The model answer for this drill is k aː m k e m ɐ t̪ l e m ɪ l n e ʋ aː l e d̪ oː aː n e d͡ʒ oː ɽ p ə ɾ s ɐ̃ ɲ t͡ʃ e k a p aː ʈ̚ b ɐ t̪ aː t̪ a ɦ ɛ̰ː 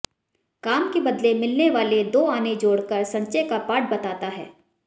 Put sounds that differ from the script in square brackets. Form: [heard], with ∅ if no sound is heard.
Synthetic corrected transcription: k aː m k e [b] ɐ [d̪] l e m ɪ l n e ʋ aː l e d̪ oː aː n e d͡ʒ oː ɽ [k] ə ɾ s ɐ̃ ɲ t͡ʃ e k a p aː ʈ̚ b ɐ t̪ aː t̪ a ɦ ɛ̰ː